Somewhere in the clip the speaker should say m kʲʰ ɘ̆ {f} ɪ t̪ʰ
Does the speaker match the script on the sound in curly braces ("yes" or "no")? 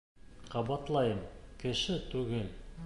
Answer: no